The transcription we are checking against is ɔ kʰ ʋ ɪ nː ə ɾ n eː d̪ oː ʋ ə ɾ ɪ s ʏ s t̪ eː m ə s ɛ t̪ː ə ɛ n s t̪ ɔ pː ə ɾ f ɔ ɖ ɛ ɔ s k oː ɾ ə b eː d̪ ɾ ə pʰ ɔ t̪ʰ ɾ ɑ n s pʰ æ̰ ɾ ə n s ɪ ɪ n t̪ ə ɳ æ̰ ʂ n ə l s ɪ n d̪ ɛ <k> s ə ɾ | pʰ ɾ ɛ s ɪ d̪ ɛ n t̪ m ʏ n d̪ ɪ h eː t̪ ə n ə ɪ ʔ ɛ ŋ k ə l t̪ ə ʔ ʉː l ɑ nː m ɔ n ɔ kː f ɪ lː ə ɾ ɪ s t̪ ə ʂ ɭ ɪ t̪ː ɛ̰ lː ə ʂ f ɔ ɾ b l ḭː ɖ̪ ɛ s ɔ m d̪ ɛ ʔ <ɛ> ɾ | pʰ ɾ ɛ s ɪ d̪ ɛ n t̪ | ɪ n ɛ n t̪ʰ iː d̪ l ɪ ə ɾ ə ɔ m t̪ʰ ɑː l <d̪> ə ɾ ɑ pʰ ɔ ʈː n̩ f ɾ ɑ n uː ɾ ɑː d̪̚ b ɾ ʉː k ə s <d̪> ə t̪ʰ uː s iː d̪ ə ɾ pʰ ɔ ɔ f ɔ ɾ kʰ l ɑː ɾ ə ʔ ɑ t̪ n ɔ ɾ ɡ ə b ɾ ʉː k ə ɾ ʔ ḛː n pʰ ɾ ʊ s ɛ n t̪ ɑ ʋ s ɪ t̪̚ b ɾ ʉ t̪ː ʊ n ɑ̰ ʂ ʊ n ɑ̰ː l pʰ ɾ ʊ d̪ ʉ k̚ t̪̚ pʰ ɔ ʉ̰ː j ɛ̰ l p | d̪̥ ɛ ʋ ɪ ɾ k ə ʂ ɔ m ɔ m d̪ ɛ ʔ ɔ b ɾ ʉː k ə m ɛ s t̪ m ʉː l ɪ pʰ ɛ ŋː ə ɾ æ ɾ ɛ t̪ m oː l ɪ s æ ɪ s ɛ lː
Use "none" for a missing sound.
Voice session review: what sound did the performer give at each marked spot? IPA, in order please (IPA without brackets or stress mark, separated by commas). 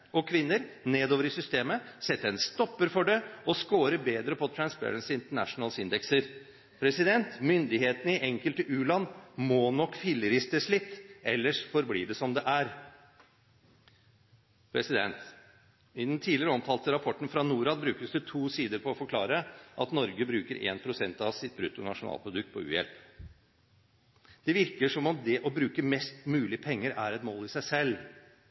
k, æ, t̪, d̪